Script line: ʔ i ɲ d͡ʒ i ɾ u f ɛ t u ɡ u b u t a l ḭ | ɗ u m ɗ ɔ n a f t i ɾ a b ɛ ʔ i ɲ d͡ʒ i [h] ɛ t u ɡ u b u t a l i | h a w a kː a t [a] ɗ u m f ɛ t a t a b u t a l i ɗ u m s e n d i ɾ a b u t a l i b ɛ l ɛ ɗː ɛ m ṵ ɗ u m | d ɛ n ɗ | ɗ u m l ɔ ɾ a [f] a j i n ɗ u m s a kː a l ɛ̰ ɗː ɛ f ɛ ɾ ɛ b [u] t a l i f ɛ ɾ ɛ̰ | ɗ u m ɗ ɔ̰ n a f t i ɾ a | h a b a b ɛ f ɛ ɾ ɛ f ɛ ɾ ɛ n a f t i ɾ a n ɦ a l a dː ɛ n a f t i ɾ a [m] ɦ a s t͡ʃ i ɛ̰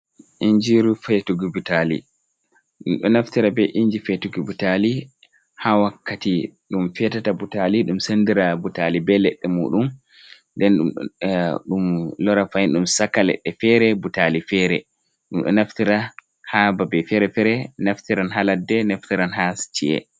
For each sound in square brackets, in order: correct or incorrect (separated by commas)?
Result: incorrect, incorrect, correct, correct, incorrect